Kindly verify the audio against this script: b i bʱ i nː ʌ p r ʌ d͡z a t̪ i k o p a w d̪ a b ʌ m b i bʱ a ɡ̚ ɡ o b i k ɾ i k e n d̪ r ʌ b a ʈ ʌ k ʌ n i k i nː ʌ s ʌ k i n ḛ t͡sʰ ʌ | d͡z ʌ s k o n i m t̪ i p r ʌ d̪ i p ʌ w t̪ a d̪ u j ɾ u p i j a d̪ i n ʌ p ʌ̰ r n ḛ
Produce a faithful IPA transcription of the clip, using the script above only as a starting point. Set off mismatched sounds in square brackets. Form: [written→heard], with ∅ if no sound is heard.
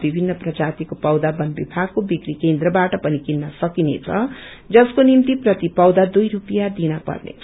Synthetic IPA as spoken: b i bʱ i nː ʌ p r ʌ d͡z a t̪ i k o p [a→ʌ] w d̪ a b ʌ [m→n] b i bʱ a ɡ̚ [ɡ→k] o b i k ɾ i k e n d̪ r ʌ b a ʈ ʌ [k→p] ʌ n i k i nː ʌ s ʌ k i n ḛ t͡sʰ ʌ | d͡z ʌ s k o n i m t̪ i p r ʌ [d̪→t̪] i p ʌ w [t̪→d̪] a d̪ u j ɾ u p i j a d̪ i n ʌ p ʌ̰ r n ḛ